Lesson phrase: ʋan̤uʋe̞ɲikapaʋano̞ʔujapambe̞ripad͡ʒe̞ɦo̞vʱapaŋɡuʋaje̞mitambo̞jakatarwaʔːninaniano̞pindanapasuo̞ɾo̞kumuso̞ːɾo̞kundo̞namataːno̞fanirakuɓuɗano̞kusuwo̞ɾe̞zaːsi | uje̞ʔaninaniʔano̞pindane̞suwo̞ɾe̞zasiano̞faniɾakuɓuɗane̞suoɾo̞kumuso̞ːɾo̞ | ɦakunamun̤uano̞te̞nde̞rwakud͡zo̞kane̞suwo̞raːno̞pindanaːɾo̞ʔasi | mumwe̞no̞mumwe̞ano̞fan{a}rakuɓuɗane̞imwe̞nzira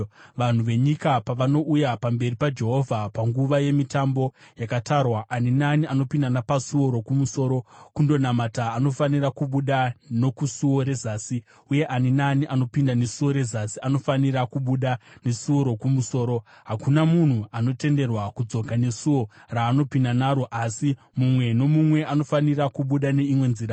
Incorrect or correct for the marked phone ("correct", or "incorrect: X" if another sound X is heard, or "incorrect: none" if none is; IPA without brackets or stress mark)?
incorrect: i